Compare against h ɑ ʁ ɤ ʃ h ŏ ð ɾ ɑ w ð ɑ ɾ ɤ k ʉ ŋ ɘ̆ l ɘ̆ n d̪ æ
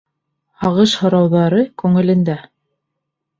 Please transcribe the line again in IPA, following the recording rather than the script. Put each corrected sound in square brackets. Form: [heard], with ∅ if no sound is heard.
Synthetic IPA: h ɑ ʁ ɤ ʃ h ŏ [∅] ɾ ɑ w ð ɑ ɾ ɤ k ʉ ŋ ɘ̆ l ɘ̆ n d̪ æ